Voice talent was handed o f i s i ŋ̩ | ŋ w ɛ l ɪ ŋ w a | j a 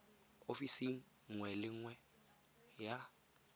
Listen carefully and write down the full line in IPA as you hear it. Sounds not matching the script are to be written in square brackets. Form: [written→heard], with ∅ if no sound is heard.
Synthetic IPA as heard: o f i s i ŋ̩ | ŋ w ɛ l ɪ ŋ w [a→ɛ] | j a